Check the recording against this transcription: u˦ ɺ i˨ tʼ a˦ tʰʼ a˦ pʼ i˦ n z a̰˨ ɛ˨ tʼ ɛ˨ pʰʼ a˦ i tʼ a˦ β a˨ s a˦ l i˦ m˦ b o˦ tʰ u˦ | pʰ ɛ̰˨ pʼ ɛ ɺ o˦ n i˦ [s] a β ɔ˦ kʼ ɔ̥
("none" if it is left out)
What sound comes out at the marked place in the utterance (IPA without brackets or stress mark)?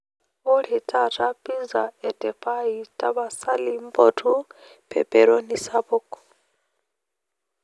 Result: s